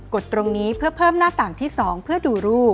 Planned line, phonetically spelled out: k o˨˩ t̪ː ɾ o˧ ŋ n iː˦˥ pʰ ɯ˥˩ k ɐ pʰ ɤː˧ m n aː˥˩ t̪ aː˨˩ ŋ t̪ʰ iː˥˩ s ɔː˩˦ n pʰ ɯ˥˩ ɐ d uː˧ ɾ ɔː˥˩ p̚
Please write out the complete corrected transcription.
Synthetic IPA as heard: k o˨˩ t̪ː ɾ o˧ ŋ n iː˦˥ pʰ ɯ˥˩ ɐ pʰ ɤː˥˩ m n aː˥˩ t̪ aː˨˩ ŋ t̪ʰ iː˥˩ s ɔː˩˦ ŋ pʰ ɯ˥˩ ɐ d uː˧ ɾ uː˥˩ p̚